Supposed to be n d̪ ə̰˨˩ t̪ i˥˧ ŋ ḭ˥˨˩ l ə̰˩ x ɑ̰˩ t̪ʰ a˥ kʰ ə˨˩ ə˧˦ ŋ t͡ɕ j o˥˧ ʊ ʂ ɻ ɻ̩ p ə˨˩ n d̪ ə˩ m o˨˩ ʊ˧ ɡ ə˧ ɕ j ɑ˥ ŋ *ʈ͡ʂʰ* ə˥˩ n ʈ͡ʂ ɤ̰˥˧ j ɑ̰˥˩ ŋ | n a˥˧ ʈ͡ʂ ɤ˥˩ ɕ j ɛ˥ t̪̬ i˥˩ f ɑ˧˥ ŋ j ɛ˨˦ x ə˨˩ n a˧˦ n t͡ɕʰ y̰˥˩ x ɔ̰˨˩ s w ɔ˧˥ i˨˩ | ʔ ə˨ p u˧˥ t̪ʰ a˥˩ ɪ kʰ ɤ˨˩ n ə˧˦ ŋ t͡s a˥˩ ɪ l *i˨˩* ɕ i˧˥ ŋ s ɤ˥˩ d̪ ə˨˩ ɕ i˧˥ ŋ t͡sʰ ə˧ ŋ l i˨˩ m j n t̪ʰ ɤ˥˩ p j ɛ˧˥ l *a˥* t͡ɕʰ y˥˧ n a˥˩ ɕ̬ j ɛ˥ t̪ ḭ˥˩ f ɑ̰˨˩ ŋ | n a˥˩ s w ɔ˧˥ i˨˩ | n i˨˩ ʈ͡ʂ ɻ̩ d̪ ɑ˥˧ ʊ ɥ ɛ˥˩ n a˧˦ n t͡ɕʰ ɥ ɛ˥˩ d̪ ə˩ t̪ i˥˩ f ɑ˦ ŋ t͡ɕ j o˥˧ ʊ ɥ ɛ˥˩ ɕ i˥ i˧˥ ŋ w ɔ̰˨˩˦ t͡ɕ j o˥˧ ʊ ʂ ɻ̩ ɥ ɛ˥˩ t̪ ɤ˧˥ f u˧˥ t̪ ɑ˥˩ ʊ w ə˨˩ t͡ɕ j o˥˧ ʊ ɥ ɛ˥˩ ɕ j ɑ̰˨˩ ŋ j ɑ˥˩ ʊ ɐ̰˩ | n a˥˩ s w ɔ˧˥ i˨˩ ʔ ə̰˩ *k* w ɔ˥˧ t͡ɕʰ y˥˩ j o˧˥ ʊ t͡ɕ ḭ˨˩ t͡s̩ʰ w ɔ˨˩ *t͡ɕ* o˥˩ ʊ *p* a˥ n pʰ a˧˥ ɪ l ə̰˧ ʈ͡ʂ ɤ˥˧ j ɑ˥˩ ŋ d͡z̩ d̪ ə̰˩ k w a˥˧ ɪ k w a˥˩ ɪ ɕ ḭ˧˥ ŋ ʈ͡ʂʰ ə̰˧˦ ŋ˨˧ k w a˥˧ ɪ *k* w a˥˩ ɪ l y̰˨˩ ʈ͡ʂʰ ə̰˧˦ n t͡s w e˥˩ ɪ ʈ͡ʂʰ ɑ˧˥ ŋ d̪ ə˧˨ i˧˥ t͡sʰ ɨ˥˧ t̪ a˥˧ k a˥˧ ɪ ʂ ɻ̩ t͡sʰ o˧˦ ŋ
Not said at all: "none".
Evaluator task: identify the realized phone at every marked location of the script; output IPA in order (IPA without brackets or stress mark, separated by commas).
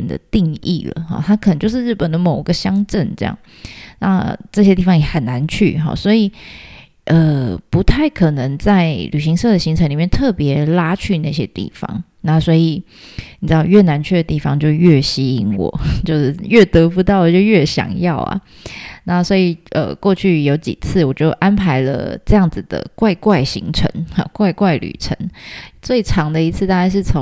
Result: ʈ͡ʂ, y˨˩, a˥, k, t͡ɕ, ʔ, k